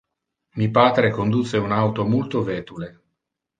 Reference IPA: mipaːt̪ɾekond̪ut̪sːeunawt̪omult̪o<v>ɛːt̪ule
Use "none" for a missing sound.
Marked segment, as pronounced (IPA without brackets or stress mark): v